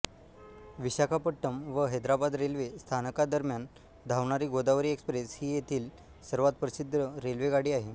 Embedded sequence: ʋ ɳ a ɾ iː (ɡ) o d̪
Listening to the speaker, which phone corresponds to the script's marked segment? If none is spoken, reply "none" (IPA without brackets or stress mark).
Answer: ɡ